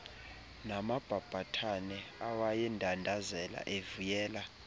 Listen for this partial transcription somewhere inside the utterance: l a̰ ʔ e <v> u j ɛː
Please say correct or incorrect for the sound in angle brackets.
correct